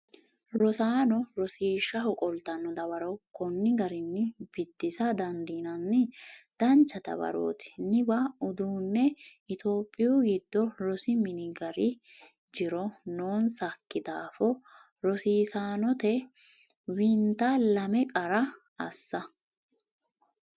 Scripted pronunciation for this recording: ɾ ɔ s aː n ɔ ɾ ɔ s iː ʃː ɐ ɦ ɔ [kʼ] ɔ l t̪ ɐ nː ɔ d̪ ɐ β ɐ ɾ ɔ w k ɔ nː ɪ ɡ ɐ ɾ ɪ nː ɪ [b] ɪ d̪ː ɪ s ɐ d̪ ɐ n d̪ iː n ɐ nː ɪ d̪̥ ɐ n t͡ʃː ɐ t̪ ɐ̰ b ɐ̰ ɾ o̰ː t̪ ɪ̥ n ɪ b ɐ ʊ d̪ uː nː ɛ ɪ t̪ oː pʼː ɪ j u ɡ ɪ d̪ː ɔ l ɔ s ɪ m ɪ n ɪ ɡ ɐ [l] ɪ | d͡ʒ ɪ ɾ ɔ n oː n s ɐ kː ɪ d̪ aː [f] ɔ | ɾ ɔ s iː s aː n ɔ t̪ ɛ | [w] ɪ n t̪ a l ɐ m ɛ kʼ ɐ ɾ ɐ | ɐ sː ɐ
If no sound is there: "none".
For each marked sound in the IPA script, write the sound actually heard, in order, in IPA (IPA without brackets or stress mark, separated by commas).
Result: kʼ, b, ɾ, f, w